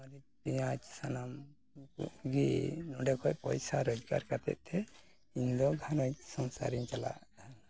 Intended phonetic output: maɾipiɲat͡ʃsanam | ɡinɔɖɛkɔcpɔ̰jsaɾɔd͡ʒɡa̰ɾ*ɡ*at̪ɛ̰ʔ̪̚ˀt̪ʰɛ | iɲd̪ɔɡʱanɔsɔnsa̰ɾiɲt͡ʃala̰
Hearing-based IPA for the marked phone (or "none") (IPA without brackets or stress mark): k